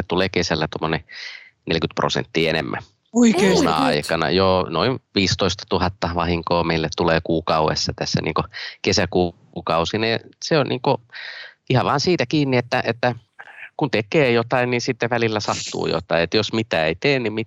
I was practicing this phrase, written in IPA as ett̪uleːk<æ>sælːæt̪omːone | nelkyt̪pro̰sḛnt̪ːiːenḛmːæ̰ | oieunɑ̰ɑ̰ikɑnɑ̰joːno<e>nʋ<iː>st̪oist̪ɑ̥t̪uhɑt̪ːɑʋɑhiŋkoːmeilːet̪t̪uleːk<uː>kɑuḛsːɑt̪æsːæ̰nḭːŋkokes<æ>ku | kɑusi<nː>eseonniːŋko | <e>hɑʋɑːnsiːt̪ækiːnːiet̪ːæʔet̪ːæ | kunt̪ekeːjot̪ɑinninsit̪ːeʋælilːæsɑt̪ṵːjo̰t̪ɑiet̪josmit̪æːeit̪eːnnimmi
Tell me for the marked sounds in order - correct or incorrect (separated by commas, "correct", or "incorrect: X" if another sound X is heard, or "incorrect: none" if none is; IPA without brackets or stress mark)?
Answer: incorrect: e, incorrect: i, correct, correct, correct, incorrect: n, incorrect: i